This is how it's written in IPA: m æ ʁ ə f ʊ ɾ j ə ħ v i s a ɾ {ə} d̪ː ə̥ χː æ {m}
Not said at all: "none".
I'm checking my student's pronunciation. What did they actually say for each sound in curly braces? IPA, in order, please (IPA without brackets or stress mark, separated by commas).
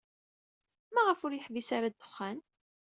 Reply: a, n